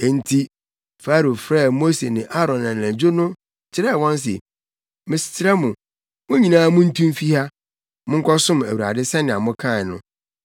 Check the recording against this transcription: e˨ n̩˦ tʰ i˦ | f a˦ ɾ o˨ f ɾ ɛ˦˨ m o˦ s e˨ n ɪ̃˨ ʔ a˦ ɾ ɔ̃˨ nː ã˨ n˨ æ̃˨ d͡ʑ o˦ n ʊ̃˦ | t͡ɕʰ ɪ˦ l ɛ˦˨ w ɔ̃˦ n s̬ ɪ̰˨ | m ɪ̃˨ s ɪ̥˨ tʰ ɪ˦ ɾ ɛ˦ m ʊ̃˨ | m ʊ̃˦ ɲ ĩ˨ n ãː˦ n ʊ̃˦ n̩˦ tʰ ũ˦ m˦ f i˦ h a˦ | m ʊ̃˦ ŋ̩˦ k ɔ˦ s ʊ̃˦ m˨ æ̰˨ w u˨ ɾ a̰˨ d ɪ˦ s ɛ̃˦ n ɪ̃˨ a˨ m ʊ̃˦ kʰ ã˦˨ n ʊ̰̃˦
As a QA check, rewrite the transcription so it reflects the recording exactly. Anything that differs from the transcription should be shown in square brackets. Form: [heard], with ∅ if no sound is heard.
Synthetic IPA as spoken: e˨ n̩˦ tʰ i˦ | f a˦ ɾ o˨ f ɾ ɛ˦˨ m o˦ s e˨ n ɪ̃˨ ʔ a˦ ɾ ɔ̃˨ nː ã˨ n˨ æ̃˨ d͡ʑ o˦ n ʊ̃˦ | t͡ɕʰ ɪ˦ [ɾ] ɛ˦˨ w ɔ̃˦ n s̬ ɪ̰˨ | m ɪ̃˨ s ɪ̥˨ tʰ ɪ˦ ɾ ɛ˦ m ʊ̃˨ | m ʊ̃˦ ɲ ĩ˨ n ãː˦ [m] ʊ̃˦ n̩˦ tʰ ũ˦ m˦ f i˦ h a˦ | m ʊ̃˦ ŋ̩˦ k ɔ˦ s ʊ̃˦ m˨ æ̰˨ w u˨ ɾ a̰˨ d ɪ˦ s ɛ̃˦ n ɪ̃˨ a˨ m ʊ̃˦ kʰ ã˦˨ n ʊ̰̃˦

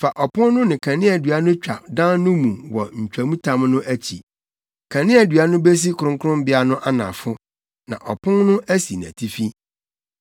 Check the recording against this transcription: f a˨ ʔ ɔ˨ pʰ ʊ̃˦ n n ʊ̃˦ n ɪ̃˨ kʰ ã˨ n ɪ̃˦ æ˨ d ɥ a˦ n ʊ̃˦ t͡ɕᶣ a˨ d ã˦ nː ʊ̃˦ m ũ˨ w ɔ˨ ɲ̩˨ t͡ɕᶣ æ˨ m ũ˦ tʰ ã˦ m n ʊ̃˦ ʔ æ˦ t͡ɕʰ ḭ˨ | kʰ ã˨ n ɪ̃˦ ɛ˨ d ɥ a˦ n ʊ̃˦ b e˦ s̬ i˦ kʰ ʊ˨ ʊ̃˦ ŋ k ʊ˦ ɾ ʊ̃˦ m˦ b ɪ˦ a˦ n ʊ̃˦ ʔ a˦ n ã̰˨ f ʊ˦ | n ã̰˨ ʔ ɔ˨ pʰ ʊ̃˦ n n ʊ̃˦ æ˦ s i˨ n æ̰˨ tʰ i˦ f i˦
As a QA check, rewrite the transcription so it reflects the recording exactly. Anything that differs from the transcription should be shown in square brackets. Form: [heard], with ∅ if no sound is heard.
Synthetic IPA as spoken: f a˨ ʔ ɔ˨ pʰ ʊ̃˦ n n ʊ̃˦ n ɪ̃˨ kʰ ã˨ n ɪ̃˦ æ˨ d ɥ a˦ n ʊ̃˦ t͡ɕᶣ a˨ d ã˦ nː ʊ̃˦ m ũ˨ w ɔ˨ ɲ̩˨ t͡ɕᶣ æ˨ m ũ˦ tʰ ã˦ m n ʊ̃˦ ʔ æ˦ t͡ɕʰ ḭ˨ | kʰ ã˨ n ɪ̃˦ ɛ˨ d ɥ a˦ n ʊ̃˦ b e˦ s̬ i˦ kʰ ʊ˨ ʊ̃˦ ŋ k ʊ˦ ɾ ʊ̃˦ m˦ b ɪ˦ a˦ n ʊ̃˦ ʔ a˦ n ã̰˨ f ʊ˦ | n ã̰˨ ʔ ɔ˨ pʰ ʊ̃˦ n n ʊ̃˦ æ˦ s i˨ n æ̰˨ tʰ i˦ f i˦

